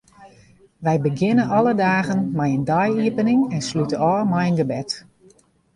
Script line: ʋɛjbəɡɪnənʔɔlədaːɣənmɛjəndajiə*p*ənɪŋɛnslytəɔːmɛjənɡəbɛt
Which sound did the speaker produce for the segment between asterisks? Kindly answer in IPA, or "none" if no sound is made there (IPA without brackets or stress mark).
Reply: p